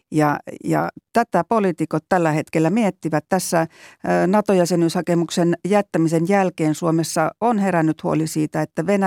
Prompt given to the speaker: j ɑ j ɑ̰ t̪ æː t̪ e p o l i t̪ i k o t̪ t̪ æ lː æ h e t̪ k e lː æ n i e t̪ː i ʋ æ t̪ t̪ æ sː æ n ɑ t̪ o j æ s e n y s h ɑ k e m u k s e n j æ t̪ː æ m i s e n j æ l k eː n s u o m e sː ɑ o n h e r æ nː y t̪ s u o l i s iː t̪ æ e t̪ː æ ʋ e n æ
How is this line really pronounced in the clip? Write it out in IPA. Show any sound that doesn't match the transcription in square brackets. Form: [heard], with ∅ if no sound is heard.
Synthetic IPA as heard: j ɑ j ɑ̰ t̪ [æ] t̪ [æ] p o l i t̪ i k o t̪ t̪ æ lː æ h e t̪ k e lː æ [m] i e t̪ː i ʋ æ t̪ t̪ æ sː æ n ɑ t̪ o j æ s e n y s h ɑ k e m u k s e n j æ t̪ː æ m i s e n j æ l k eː n s u o m e sː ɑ o n h e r æ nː y t̪ [h] u o l i s iː t̪ æ e t̪ː æ ʋ e n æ